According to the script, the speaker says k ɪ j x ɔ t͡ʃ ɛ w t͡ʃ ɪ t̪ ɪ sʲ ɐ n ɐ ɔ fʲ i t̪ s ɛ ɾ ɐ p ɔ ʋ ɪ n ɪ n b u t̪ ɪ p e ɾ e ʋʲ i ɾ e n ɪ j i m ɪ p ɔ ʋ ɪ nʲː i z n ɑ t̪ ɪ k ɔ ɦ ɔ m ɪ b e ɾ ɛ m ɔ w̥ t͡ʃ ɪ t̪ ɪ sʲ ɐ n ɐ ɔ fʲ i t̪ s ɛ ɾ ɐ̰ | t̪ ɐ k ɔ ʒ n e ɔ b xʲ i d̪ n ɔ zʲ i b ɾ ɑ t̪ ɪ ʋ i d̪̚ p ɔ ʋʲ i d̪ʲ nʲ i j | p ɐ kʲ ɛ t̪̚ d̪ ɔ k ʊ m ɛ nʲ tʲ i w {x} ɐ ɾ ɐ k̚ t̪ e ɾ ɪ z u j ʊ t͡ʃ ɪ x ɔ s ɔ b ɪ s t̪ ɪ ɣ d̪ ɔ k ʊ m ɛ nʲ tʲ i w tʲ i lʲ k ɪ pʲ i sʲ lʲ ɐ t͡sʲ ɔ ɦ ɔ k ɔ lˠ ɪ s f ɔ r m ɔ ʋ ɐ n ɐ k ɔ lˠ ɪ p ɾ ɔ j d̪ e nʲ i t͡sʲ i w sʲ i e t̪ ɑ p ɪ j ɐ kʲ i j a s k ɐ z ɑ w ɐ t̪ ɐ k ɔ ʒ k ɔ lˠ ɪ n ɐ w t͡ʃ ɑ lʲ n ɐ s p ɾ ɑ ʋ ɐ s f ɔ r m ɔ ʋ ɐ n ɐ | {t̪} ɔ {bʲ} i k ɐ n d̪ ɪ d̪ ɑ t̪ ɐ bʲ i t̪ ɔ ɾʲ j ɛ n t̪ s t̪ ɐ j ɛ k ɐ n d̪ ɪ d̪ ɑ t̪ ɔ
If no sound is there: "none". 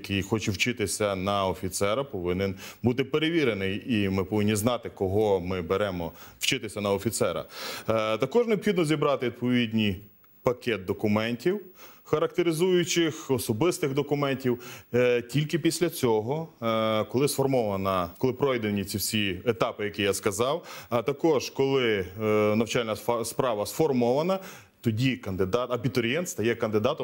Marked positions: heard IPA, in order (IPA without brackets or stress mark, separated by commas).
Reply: x, t̪, dʲ